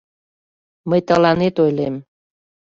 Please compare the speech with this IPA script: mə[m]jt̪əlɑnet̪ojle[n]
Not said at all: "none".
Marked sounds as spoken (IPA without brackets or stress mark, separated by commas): none, m